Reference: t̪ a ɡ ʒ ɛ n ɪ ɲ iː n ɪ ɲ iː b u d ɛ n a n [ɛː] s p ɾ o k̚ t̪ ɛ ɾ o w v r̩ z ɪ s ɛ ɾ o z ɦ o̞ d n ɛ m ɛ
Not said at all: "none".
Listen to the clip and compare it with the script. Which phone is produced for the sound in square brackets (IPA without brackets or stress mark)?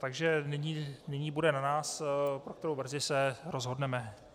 aː